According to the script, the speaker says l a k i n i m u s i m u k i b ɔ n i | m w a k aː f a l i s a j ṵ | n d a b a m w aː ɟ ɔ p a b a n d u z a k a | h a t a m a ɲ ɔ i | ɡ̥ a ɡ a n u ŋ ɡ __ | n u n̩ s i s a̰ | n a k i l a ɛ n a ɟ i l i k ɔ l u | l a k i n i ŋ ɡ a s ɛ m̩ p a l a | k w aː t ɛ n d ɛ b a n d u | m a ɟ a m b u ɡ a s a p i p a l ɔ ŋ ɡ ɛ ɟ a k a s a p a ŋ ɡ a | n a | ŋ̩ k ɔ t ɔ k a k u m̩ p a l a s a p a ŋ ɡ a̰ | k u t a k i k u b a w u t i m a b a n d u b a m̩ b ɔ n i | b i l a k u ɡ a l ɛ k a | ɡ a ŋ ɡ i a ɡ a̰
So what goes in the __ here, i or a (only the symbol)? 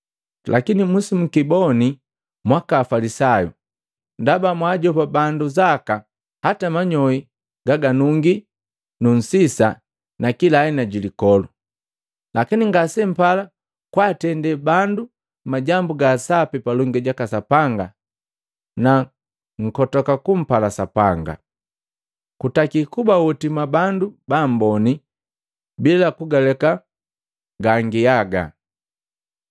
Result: i